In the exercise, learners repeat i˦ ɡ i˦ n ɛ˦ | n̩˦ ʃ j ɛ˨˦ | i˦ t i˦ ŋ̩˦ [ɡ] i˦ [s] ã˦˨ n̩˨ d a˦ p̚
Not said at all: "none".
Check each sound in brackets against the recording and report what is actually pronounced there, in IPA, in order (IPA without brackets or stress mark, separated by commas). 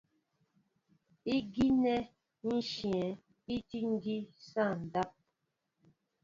ɡ, s